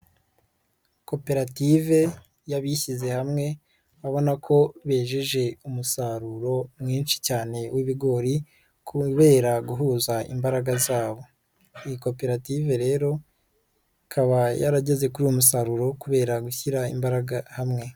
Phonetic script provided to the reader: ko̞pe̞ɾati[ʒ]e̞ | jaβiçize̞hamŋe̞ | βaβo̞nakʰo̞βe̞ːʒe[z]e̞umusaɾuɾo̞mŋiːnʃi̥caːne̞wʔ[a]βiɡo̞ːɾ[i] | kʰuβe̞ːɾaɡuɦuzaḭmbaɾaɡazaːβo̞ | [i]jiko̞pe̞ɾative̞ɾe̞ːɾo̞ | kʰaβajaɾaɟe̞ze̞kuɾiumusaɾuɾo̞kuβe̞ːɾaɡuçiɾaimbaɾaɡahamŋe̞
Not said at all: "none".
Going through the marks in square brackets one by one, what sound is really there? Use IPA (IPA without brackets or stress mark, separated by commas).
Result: v, ʒ, i, i, i